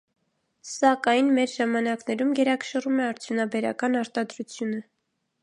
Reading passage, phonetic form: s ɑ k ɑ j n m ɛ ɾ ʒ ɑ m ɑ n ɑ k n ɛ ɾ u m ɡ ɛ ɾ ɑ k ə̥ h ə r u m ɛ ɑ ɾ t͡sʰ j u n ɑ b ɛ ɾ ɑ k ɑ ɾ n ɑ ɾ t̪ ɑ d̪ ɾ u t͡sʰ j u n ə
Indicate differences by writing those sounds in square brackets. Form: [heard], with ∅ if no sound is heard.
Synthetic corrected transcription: s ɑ k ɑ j n m ɛ ɾ ʒ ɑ m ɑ n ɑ k n ɛ ɾ u m ɡ ɛ ɾ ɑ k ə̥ [ʃ] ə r u m ɛ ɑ ɾ t͡sʰ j u n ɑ b ɛ ɾ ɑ k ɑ [∅] n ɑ ɾ t̪ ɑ d̪ ɾ u t͡sʰ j u n ə